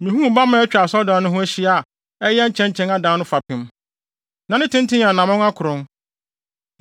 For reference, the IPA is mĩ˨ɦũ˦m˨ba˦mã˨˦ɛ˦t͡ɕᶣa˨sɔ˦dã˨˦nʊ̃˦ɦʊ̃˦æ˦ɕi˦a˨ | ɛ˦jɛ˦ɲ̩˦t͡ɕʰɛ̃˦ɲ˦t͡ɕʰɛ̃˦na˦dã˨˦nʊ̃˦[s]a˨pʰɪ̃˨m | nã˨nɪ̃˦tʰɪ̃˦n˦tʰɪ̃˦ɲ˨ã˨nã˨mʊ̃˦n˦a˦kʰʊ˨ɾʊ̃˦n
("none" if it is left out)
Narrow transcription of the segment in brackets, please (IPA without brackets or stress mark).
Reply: f